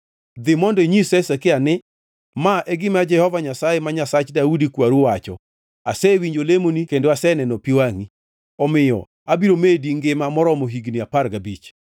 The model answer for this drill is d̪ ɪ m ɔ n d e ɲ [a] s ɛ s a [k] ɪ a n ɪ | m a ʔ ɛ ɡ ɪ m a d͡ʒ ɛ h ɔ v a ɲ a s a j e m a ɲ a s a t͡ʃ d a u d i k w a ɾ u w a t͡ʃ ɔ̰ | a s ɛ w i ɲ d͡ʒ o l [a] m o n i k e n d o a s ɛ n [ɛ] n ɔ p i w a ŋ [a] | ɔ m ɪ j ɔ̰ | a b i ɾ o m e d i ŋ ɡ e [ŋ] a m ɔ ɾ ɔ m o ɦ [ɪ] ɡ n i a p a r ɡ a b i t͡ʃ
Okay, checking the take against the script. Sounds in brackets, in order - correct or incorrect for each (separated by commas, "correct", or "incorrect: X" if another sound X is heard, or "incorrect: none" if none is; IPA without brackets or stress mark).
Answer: incorrect: i, correct, incorrect: e, correct, incorrect: i, incorrect: m, incorrect: i